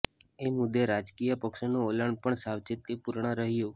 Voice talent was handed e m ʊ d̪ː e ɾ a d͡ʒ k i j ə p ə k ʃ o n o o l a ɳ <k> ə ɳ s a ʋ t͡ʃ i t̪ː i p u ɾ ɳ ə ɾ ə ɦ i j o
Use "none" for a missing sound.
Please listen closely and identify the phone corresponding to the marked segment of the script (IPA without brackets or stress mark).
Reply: p